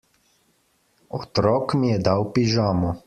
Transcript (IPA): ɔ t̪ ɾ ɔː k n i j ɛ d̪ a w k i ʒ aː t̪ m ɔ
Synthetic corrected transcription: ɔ t̪ ɾ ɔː k m i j ɛ d̪ a w p i ʒ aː m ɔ